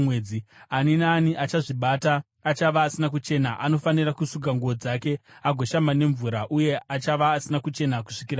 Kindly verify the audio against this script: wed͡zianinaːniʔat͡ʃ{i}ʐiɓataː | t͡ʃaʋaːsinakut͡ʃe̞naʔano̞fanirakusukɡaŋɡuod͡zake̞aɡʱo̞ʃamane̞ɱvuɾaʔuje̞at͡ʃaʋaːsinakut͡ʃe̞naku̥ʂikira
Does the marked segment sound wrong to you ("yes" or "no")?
yes